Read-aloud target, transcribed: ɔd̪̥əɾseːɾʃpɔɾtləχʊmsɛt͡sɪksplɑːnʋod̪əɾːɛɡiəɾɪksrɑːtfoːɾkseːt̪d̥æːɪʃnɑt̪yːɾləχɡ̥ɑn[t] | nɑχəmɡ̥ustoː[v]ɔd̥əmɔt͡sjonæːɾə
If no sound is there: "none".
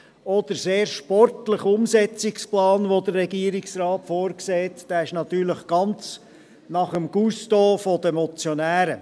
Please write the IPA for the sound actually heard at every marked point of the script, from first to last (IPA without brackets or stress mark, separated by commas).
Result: t͡s, f